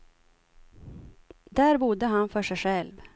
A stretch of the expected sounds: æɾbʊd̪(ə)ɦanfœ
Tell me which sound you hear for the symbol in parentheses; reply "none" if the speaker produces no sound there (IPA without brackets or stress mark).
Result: ə